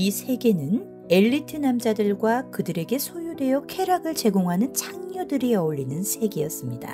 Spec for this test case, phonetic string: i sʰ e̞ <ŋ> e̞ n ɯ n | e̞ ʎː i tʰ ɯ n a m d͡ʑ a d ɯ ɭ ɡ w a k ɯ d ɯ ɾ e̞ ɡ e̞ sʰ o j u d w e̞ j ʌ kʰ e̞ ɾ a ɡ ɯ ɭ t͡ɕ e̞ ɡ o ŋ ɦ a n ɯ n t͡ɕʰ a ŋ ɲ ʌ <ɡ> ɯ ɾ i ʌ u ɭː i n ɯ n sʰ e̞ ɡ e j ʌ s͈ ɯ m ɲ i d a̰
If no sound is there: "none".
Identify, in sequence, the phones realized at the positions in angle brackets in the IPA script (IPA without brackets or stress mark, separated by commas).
ɡ, d